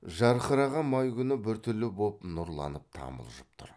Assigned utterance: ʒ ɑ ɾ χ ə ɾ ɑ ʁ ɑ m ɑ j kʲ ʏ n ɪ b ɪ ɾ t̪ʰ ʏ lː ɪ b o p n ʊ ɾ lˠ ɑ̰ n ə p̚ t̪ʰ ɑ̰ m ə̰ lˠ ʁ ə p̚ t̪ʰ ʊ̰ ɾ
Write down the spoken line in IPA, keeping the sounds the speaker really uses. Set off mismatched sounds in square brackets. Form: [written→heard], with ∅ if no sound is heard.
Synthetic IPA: ʒ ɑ ɾ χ ə ɾ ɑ ʁ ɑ m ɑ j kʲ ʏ n ɪ b ɪ ɾ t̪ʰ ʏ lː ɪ b o p n ʊ ɾ lˠ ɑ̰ n ə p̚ t̪ʰ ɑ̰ m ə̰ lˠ [ʁ→ʒ] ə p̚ t̪ʰ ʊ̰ ɾ